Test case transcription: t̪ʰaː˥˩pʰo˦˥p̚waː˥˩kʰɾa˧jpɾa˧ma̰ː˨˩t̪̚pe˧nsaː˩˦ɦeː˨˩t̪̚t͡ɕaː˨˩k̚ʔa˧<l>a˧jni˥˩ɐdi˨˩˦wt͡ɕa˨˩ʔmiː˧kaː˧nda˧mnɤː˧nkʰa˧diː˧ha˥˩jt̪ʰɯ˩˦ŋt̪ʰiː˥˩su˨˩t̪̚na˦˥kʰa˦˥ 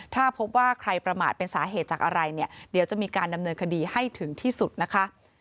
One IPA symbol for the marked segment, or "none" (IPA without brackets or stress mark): ɾ